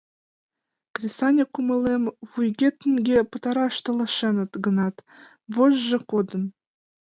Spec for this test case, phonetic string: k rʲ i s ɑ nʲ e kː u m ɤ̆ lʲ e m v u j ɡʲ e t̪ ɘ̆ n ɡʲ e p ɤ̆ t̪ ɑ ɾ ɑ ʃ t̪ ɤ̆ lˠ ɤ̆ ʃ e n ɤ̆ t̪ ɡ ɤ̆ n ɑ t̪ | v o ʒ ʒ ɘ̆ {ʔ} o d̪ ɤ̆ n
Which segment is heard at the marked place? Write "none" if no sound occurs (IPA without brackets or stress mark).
k